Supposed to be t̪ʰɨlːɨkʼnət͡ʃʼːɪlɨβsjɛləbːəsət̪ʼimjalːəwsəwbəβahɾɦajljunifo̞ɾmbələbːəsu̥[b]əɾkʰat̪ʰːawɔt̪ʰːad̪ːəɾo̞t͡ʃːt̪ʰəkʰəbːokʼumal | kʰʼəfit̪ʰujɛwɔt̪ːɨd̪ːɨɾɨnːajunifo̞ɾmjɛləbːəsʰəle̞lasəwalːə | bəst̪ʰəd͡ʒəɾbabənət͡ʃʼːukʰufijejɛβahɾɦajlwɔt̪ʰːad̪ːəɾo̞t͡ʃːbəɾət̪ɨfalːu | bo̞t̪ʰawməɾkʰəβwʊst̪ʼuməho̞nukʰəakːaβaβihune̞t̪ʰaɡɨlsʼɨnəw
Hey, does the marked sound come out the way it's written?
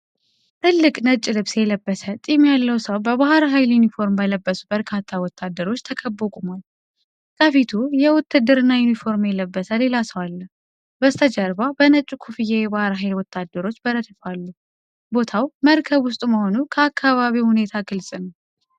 yes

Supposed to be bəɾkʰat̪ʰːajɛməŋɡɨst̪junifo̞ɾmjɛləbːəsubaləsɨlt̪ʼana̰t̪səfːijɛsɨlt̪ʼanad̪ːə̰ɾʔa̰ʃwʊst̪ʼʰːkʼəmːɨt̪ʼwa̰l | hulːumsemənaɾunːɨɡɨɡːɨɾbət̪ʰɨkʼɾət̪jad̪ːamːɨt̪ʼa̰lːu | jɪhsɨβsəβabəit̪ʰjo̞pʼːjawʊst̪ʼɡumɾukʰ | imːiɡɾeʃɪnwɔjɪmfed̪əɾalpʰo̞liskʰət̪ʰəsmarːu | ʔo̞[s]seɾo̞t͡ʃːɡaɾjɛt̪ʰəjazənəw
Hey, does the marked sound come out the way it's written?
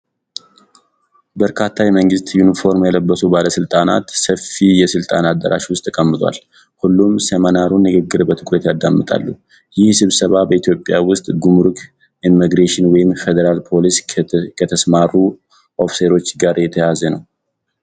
no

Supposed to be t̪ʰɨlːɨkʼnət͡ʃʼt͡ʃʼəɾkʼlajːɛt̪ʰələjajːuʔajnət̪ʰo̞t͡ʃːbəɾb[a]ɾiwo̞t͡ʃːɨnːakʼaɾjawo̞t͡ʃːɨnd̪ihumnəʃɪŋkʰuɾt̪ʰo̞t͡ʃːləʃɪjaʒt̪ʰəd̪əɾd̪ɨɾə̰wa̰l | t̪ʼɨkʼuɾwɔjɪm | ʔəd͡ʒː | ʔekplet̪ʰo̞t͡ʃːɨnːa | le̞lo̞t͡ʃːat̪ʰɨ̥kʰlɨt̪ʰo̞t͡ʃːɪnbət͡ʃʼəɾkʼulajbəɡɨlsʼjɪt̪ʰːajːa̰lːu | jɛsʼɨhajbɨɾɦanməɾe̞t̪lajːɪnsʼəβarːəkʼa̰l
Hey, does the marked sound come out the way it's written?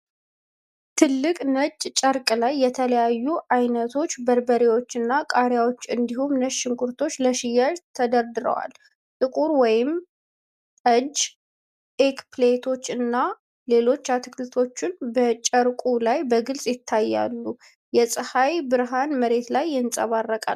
no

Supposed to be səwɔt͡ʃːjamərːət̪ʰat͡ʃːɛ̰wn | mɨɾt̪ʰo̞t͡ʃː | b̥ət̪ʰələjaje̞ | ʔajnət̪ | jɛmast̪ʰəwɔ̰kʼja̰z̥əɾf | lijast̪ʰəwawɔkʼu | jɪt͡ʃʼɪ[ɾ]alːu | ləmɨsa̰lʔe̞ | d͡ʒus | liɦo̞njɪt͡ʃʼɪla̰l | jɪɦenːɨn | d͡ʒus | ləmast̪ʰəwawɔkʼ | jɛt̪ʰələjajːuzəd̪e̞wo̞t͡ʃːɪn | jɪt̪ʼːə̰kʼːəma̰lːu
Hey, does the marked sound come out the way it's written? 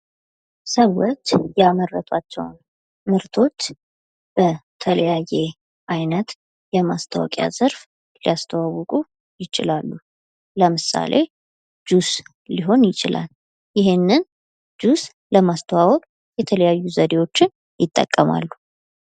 no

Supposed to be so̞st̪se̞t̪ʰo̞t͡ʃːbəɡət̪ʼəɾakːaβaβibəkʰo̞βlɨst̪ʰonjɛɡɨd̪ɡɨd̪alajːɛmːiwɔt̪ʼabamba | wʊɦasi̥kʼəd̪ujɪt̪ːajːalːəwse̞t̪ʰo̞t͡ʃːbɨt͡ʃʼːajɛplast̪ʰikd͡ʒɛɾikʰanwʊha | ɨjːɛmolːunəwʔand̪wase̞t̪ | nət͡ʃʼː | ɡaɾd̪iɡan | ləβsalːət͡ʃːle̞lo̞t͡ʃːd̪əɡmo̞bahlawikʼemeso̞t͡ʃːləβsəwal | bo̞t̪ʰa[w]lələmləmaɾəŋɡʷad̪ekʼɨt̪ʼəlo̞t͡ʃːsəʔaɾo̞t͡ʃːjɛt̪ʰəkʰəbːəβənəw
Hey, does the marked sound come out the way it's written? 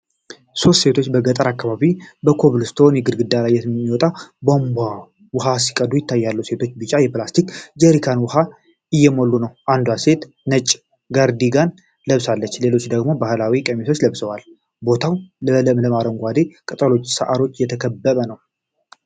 yes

